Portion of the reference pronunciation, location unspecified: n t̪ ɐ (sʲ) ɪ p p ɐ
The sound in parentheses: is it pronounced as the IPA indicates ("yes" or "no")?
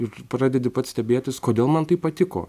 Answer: no